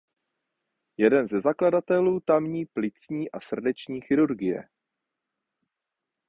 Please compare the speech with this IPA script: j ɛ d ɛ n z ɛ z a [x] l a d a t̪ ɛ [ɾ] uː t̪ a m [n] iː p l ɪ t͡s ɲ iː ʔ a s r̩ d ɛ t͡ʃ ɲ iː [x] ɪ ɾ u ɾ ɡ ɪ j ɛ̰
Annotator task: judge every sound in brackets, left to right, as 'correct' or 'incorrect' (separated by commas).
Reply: incorrect, incorrect, incorrect, correct